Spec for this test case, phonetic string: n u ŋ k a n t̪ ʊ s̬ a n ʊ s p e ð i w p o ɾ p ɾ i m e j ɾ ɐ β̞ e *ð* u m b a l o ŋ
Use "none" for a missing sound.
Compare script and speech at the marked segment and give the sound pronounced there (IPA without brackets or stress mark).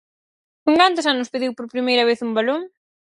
θ